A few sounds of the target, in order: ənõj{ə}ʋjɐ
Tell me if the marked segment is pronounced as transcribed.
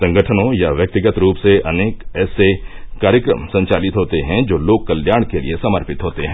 no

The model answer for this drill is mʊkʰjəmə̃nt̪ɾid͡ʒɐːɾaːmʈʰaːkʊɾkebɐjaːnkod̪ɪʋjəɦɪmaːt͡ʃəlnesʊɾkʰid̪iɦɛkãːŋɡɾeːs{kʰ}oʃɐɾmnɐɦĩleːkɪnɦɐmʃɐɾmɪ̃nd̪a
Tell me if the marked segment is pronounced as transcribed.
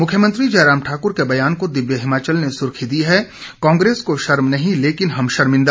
no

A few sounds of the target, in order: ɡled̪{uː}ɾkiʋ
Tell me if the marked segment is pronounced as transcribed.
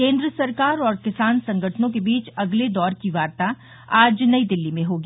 no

